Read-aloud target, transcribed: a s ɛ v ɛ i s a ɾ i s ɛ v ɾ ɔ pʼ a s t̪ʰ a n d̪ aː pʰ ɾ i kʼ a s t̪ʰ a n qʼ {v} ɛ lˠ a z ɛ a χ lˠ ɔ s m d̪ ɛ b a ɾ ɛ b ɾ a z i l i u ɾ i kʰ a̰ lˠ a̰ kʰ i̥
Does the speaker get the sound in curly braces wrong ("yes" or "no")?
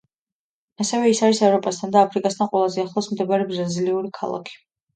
yes